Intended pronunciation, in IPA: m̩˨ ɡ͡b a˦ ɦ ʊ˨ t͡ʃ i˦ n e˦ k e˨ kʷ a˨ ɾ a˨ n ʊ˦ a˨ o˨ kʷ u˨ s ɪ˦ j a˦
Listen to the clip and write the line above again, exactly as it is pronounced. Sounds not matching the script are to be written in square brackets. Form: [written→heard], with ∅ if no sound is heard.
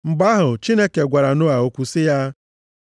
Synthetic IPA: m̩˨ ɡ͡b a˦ ɦ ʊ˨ t͡ʃ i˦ n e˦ k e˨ [kʷ→ɡʷ] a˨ ɾ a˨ n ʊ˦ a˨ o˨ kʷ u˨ s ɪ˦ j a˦